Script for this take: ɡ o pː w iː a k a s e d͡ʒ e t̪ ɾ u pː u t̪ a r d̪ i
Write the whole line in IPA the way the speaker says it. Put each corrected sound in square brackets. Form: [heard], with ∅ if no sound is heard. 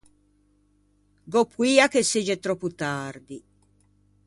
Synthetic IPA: ɡ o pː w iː a k [e] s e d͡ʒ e t̪ ɾ [ɔ] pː u t̪ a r d̪ i